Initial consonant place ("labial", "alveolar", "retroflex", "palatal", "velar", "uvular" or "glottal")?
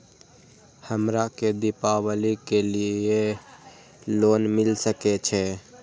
glottal